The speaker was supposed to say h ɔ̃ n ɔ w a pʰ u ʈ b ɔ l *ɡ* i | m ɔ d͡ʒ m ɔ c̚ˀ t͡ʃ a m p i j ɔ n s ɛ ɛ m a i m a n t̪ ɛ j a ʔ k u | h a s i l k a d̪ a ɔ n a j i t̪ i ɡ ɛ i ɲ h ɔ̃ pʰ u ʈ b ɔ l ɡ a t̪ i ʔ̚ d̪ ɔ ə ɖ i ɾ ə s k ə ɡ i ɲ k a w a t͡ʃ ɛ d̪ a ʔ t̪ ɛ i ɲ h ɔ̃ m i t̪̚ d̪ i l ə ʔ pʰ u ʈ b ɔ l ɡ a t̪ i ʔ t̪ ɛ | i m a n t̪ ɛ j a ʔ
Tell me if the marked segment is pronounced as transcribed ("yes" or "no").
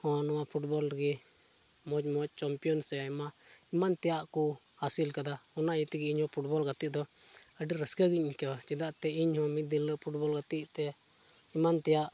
yes